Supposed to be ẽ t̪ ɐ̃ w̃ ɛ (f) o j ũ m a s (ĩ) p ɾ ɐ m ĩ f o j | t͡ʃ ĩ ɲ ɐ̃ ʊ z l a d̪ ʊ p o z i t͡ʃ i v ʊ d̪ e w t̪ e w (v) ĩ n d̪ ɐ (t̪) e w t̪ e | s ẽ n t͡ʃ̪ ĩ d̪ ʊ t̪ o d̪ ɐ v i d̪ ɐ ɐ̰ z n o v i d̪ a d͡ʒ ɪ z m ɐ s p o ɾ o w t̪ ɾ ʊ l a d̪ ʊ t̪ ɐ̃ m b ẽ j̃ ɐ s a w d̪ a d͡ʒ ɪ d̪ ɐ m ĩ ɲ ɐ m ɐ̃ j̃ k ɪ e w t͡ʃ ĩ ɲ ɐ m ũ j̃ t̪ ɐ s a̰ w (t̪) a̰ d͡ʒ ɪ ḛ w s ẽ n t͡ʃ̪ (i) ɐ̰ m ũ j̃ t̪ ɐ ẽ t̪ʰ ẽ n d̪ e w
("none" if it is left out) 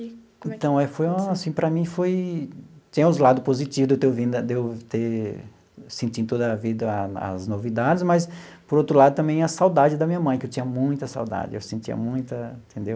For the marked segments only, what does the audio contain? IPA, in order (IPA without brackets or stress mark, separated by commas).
f, ĩ, v, d̪, d̪, i